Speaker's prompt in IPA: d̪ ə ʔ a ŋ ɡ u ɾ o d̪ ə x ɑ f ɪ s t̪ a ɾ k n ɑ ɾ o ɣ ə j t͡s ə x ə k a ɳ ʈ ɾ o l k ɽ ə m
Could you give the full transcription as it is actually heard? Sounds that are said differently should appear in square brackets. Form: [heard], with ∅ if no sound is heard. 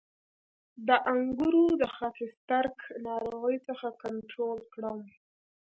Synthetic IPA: d̪ ə ʔ a ŋ ɡ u ɾ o d̪ ə x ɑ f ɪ s t̪ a ɾ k n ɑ ɾ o ɣ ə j t͡s ə x [a] k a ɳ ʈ ɾ o l k ɽ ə m